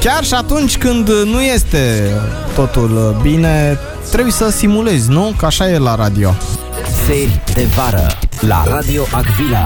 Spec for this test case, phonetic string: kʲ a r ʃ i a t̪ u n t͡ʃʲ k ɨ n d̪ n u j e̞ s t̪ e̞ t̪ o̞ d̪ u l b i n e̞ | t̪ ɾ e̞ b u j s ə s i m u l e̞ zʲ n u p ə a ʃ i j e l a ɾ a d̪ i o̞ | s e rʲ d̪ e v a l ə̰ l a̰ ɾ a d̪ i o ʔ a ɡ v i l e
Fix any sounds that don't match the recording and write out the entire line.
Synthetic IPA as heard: kʲ a r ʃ i a t̪ u n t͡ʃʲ k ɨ n d̪ n u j e̞ s t̪ e̞ t̪ o̞ t̪ u l b i n e̞ | t̪ ɾ e̞ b u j s ə s i m u l e̞ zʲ n u k ə a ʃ a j e l a ɾ a d̪ i o̞ | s e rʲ d̪ e v a ɾ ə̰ l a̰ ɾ a d̪ i o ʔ a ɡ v i l a